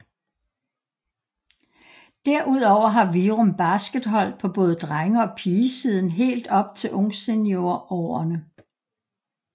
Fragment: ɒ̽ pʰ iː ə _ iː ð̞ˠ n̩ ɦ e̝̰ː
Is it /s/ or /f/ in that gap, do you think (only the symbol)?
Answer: s